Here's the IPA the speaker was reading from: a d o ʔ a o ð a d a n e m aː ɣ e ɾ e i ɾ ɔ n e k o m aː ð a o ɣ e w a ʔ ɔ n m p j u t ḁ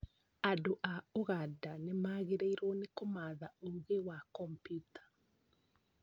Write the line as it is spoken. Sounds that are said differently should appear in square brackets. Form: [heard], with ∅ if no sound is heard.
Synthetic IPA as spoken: a d o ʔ a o [ɣ] a d a n e m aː ɣ e ɾ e i ɾ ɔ n e k o m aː ð a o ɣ e w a [k] ɔ [∅] m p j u t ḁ